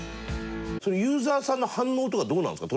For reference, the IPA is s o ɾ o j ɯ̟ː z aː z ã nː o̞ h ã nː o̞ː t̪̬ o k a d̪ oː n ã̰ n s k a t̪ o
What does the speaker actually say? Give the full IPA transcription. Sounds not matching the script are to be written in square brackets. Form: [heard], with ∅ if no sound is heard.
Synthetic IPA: s o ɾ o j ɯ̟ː z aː [s] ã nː o̞ h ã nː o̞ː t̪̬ o k a d̪ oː n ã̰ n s k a t̪ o